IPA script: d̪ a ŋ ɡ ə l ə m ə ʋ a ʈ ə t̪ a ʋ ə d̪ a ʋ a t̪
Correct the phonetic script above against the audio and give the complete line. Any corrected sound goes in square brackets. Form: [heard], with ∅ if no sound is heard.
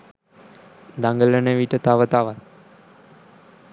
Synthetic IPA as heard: d̪ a ŋ ɡ ə l ə [n] ə ʋ [i] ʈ ə t̪ a ʋ ə [t̪] a ʋ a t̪

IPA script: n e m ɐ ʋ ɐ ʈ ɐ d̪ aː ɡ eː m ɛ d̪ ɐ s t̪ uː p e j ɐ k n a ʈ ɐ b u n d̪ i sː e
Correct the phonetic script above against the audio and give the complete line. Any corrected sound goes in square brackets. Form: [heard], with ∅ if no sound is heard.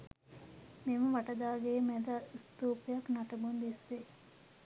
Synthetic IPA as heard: [m] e m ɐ ʋ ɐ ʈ ɐ d̪ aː ɡ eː m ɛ d̪ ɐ s t̪ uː p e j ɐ k n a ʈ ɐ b u n d̪ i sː e

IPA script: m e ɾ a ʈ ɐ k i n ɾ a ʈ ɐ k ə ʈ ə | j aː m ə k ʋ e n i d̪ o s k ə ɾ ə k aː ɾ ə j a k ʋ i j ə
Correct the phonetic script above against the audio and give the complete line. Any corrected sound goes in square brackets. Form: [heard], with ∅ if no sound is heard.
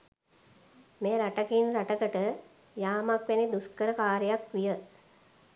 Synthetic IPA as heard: m e ɾ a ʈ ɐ k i n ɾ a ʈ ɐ k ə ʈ ə | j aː m [a] k ʋ e n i d̪ [u] s k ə ɾ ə k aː ɾ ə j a k ʋ i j ə

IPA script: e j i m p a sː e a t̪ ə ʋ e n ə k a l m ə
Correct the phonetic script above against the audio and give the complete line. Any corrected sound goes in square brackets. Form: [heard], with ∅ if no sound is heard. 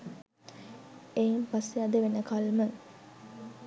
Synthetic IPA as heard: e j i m p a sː e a [d̪] ə ʋ e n ə k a l m ə

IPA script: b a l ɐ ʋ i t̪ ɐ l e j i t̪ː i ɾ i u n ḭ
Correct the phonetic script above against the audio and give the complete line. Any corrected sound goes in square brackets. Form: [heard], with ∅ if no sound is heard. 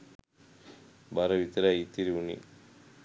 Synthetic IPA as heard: b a [ɾ] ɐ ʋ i t̪ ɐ [ɾ] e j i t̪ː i ɾ i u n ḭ

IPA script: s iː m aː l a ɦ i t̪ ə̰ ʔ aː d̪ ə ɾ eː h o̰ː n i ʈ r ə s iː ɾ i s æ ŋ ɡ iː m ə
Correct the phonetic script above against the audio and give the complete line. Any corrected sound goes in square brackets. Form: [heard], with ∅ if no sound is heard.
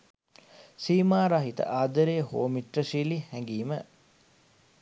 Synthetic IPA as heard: s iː m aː [ɾ] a ɦ i t̪ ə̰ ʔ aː d̪ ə ɾ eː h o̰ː [m] i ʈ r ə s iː [l] i [h] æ ŋ ɡ iː m ə

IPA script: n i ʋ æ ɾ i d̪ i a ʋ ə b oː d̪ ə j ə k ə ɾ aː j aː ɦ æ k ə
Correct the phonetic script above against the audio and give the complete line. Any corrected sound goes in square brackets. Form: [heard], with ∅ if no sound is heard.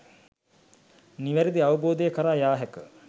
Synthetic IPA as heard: n i ʋ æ ɾ i d̪ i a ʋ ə b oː d̪ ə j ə k ə ɾ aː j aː ɦ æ k ə

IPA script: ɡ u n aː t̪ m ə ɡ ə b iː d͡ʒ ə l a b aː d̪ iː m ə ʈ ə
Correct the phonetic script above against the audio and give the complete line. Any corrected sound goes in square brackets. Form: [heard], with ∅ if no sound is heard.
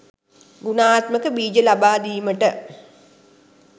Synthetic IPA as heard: ɡ u n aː t̪ m ə [k] ə b iː d͡ʒ ə l a b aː d̪ iː m ə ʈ ə

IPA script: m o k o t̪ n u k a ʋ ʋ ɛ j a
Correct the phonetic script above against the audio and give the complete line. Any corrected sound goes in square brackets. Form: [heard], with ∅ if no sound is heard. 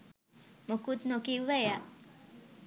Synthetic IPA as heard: m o k [u] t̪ n [o] k [i] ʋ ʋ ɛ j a

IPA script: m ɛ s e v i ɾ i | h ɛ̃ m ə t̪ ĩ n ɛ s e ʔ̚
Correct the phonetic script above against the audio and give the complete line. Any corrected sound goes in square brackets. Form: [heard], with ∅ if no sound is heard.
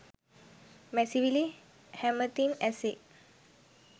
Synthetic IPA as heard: m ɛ s [i] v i [l] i | h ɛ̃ m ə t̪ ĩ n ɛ s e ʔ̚

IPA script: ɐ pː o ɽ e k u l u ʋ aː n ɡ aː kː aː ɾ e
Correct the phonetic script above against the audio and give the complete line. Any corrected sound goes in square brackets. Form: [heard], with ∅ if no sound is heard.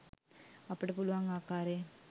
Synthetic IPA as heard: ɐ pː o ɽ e [p] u l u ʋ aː [ŋ] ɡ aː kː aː ɾ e

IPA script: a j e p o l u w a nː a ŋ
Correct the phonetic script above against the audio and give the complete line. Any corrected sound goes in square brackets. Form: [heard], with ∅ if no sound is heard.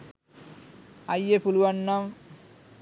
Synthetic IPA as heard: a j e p [u] l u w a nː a [m]

